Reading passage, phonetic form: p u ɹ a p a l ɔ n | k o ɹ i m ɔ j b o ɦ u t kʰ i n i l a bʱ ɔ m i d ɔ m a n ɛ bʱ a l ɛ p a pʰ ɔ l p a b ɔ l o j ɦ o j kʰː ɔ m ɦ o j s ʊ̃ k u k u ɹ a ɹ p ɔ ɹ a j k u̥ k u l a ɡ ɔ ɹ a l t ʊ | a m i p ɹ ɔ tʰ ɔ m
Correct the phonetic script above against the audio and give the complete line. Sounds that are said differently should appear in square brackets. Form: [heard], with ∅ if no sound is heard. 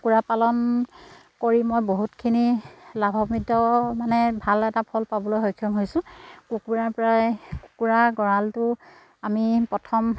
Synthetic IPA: [k] u ɹ a p a l ɔ n | k o ɹ i m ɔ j b o ɦ u t kʰ i n i l a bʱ ɔ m i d ɔ m a n ɛ bʱ a l ɛ [t] a pʰ ɔ l p a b ɔ l o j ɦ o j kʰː ɔ m ɦ o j s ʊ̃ k u k u ɹ a ɹ p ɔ ɹ a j k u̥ k u [ɹ] a ɡ ɔ ɹ a l t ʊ | a m i p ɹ ɔ tʰ ɔ m

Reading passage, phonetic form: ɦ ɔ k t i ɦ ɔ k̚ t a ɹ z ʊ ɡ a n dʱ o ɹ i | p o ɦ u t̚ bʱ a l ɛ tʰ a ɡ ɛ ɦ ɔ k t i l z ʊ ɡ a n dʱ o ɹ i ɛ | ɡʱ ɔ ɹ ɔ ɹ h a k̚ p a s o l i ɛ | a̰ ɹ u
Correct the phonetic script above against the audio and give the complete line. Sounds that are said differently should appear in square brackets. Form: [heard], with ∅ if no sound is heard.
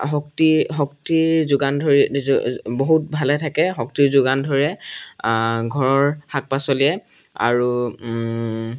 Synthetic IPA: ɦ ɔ k t i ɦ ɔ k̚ t [i] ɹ z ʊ ɡ a n dʱ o ɹ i | [b] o ɦ u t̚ bʱ a l ɛ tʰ a [k] ɛ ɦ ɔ k t i [ɹ] z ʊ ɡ a n dʱ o ɹ i ɛ | ɡʱ ɔ ɹ ɔ ɹ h a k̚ p a s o l i ɛ | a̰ ɹ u

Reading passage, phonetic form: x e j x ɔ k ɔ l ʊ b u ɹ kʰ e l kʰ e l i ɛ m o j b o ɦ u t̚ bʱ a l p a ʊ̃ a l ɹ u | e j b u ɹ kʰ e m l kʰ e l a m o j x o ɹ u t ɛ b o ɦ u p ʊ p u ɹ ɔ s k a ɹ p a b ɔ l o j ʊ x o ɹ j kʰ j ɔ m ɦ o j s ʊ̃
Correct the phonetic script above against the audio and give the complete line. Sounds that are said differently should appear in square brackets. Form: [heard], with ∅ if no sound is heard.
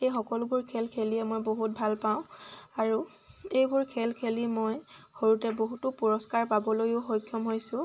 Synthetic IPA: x e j x ɔ k ɔ l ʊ b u ɹ kʰ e l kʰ e l i ɛ m o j b o ɦ u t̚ bʱ a l p a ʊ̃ a [∅] ɹ u | e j b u ɹ kʰ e [∅] l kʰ e l [i] m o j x o ɹ u t ɛ b o ɦ u [t] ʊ p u ɹ ɔ s k a ɹ p a b ɔ l o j ʊ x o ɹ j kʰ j ɔ m ɦ o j s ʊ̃

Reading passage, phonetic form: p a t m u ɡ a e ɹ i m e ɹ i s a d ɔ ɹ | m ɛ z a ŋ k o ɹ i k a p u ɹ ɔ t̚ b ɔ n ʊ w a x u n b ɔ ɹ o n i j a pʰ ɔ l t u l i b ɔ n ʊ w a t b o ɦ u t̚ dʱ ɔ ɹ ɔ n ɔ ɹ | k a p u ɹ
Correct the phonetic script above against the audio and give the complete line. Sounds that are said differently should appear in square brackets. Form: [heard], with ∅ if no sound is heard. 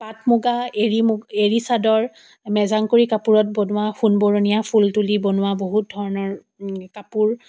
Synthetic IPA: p a t m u ɡ a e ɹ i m e ɹ i s a d ɔ ɹ | m ɛ z a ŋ k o ɹ i k a p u ɹ ɔ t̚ b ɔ n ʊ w a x u n b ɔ ɹ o n i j a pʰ [u] l t u l i b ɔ n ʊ w a [∅] b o ɦ u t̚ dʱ ɔ ɹ ɔ n ɔ ɹ | k a p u ɹ

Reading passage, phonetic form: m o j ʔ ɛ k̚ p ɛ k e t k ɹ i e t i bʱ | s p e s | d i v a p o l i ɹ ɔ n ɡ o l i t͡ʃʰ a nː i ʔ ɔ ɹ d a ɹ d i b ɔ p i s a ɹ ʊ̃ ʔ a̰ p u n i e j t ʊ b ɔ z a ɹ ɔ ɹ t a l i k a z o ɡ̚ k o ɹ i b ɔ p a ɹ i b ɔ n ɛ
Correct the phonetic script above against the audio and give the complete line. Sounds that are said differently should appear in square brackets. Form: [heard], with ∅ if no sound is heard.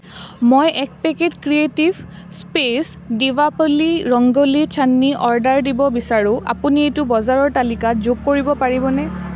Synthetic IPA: m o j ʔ ɛ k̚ p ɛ k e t k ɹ i e t i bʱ | s p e s | d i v a p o l i ɹ ɔ [ŋ] ɡ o l i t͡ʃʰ a nː i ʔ ɔ ɹ d a ɹ d i b ɔ [b] i s a ɹ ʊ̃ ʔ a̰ p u n i e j t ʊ b ɔ z a ɹ ɔ ɹ t a l i k a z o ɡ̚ k o ɹ i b ɔ p a ɹ i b ɔ n ɛ

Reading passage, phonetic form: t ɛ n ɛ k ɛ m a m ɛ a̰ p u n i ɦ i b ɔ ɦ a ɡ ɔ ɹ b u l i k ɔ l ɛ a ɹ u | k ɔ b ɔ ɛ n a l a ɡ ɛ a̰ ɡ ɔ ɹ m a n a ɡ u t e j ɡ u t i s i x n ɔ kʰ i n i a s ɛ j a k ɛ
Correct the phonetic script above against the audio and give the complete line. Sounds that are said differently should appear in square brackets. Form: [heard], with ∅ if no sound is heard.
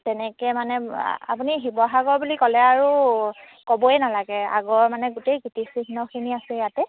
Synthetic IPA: t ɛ n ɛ k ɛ m a [n] ɛ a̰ p u n i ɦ i b ɔ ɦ a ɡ ɔ ɹ b u l i k ɔ l ɛ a ɹ u | k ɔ b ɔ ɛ n a l a ɡ ɛ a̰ ɡ ɔ ɹ m a n [ɛ] ɡ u t e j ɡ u t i s i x n ɔ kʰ i n i a s ɛ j a [t] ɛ

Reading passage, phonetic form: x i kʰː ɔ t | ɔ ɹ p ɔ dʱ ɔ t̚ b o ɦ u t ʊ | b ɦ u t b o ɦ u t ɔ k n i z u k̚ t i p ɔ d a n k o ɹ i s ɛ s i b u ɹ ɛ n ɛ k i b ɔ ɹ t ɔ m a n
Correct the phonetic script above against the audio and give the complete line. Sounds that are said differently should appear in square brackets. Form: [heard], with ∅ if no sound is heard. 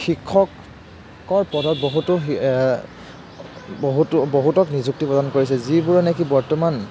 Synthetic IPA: x i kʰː ɔ [k] | ɔ ɹ p ɔ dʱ ɔ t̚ b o ɦ u t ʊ | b ɦ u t b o ɦ u t ɔ k n i z u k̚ t i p ɔ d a n k o ɹ i s ɛ [z] i b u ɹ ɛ n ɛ k i b ɔ ɹ t ɔ m a n

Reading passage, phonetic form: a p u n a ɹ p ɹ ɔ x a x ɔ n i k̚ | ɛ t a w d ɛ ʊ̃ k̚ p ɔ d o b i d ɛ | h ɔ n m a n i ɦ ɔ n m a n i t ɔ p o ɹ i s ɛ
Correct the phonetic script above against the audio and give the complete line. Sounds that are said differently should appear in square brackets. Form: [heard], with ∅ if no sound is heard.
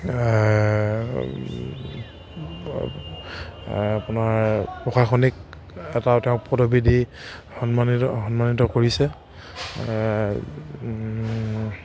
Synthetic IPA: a p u n a ɹ p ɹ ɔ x a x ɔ n i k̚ | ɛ t a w [t] ɛ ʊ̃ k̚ p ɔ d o b i d [i] | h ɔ n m a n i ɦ ɔ n m a n i t ɔ [k] o ɹ i s ɛ

